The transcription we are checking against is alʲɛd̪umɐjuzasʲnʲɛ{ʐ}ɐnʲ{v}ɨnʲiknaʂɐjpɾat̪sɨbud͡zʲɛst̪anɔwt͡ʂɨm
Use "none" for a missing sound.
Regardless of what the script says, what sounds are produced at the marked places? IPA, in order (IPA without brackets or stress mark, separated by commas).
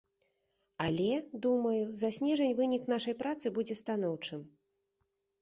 ʐ, v